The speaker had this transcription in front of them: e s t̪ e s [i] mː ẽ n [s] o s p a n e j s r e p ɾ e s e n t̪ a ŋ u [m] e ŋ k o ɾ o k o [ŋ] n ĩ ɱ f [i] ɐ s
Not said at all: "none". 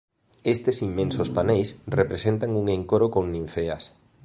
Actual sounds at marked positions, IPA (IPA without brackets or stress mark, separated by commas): i, s, ŋ, ŋ, e